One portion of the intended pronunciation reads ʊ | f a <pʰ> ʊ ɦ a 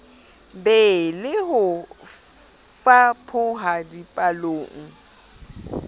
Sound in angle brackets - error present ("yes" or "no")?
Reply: no